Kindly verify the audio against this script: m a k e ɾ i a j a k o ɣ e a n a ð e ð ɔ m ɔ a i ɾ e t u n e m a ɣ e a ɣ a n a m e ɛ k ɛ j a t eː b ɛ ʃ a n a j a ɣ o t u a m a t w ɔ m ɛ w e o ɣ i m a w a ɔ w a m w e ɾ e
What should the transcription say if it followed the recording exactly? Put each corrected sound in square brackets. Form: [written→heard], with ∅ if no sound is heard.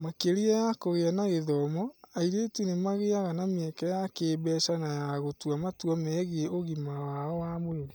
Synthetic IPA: m a k e ɾ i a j a k o ɣ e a n a [ð→ɣ] e ð ɔ m ɔ a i ɾ e t u n e m a ɣ e a ɣ a n a m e ɛ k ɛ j a [t→k] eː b ɛ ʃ a n a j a ɣ o t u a m a t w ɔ m ɛ [w→ɣ] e o ɣ i m a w a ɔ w a m w e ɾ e